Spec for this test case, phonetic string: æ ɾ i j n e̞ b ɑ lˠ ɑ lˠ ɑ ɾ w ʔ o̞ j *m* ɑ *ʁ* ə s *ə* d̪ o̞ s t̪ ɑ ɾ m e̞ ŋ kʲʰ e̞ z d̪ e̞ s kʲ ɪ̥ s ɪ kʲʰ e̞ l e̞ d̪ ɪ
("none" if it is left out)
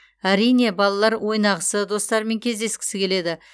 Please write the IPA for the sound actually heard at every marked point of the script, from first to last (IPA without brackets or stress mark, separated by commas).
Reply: n, ʁ, ə